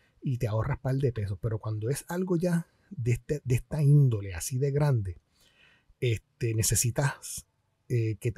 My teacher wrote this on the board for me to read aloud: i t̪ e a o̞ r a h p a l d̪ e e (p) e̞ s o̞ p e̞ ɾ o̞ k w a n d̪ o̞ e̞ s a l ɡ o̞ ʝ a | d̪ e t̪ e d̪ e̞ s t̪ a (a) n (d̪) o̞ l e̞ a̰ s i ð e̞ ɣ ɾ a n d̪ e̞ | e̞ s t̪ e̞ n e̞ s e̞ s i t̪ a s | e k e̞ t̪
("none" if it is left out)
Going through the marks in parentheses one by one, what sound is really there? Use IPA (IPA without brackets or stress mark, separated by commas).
p, i, d̪